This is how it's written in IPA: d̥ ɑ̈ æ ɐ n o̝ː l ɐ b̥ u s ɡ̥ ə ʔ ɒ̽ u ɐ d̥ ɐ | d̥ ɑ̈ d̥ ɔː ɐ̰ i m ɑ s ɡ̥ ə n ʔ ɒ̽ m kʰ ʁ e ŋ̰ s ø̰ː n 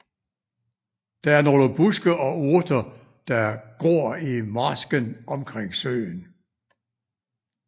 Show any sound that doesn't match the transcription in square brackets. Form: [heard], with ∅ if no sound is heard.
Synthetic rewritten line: d̥ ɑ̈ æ ɐ n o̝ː l [ə] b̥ u s ɡ̥ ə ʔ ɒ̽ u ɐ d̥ ɐ | d̥ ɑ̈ [ɡ̥] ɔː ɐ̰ i m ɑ s ɡ̥ ə n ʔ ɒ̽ m kʰ ʁ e ŋ̰ s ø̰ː n